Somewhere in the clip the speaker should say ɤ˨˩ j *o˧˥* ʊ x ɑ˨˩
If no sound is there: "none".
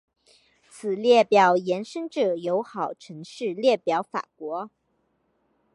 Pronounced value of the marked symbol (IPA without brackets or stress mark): o˧˥